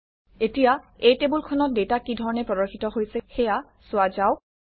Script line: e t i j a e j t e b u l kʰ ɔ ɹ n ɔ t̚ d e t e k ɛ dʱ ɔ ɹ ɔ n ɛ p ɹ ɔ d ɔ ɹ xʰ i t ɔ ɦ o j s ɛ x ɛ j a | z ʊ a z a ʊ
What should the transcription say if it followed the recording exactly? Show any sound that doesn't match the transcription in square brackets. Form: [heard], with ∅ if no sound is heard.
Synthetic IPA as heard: e t i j a e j t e b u l kʰ ɔ [∅] n ɔ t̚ d e t [a] k [i] dʱ ɔ ɹ ɔ n ɛ p ɹ ɔ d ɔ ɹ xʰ i t ɔ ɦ o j s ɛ x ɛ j a | [s] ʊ a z a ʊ